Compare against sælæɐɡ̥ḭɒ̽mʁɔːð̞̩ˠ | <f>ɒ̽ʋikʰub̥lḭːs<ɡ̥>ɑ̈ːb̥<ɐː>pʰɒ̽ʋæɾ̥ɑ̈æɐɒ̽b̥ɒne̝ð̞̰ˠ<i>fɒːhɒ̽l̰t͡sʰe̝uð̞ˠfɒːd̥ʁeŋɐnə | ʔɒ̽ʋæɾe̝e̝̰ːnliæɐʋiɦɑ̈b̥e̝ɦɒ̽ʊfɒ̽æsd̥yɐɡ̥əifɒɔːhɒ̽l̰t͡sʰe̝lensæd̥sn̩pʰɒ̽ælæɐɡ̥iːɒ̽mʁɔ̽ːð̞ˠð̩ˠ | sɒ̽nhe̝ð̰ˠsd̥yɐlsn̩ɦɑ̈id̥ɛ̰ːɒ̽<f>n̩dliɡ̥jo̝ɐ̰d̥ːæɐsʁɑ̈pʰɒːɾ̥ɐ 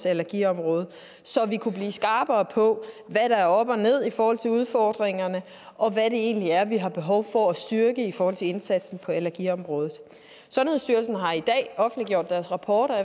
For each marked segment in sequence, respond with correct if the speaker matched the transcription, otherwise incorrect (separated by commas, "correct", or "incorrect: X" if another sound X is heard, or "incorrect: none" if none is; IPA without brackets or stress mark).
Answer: incorrect: s, correct, correct, correct, correct